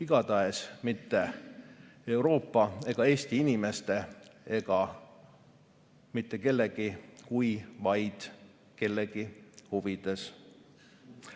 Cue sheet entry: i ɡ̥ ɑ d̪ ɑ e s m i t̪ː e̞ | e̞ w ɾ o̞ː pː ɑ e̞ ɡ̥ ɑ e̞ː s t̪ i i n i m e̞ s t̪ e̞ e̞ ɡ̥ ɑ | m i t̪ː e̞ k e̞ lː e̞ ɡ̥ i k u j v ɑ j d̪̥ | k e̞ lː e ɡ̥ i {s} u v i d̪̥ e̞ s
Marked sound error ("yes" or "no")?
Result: yes